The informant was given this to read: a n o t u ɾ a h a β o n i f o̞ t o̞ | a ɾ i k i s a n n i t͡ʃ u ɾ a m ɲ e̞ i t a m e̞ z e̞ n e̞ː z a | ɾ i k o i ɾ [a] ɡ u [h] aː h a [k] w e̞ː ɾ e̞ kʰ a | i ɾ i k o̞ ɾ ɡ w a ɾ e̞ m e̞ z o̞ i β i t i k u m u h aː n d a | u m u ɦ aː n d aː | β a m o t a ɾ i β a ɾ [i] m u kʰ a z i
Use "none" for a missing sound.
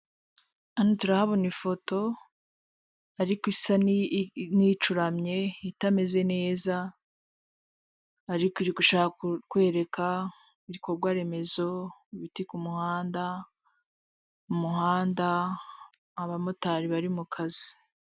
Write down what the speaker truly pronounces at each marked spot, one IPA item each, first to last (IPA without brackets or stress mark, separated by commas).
i, ʃ, k, i